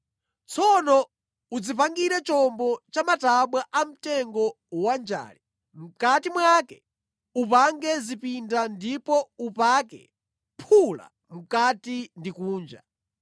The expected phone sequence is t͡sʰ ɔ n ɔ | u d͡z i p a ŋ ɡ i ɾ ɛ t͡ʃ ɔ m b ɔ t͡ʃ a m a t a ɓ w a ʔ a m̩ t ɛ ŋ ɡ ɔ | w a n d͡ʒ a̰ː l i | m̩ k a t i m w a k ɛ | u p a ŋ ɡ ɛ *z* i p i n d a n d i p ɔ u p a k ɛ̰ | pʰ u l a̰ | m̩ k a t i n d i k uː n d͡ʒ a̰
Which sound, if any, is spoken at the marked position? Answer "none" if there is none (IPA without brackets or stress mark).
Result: z